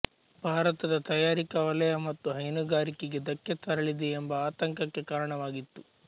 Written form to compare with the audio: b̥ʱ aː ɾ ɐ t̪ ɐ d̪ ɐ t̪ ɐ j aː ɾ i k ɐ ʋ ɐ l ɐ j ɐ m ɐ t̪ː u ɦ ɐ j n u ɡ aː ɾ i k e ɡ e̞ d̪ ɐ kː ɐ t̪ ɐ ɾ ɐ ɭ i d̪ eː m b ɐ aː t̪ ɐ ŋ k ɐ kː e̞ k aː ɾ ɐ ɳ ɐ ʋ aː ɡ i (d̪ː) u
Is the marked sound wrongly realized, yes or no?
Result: yes